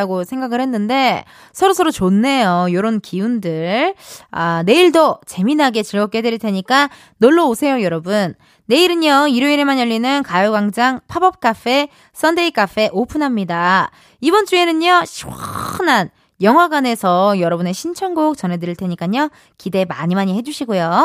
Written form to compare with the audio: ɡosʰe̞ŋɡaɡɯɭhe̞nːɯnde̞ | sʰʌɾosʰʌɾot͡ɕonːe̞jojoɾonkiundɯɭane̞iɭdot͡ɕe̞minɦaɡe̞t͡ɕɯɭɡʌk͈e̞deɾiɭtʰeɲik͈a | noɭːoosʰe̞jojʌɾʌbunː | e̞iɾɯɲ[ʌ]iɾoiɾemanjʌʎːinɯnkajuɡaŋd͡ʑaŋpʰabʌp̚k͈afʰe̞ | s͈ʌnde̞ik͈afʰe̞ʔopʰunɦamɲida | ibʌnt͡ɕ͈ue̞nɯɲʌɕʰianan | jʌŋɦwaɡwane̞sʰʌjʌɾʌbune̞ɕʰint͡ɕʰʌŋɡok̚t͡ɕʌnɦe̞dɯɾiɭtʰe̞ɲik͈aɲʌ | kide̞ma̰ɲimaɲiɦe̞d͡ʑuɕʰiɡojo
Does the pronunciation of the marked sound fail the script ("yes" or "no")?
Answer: no